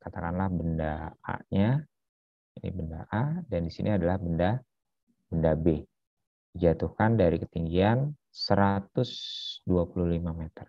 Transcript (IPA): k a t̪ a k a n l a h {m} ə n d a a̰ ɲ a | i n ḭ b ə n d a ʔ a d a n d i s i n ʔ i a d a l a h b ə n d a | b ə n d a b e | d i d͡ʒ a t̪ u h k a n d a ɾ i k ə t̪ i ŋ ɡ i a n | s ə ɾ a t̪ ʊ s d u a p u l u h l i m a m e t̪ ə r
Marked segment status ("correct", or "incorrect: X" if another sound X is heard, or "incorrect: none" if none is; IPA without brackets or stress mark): incorrect: b